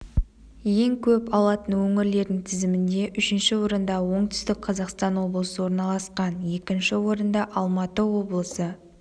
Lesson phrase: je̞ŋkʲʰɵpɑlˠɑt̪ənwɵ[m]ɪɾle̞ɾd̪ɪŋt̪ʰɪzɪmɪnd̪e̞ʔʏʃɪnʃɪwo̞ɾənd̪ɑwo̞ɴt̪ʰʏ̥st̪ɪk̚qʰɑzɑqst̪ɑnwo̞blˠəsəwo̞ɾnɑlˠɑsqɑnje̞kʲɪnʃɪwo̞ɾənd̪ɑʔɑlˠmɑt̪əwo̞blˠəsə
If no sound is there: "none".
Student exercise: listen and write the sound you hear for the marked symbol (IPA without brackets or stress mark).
ŋ